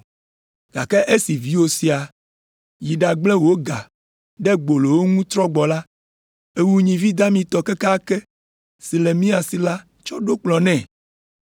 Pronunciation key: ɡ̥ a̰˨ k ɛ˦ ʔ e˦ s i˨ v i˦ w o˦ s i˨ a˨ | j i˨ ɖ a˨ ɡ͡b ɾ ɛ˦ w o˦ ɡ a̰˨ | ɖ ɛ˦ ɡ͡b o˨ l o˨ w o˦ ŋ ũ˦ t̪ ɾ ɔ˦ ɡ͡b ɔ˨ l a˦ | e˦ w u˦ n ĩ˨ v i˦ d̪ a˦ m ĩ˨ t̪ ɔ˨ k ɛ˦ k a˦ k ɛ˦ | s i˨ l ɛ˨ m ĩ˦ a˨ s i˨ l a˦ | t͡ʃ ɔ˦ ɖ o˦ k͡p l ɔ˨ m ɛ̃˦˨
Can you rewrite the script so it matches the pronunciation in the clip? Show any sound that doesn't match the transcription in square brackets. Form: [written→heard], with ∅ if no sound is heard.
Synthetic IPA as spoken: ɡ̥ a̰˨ k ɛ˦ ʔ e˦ s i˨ v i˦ w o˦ s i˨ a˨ | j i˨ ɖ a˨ ɡ͡b [ɾ→l] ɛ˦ w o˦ ɡ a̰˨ | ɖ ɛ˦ ɡ͡b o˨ l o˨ w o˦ ŋ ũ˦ t̪ ɾ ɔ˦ ɡ͡b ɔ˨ l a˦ | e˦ w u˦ [n→ɲ] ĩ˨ v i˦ d̪ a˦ m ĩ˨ t̪ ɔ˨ k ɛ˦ k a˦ k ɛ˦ | s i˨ l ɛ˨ m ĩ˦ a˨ s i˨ l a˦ | t͡ʃ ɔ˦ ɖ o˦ k͡p l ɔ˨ [m→n] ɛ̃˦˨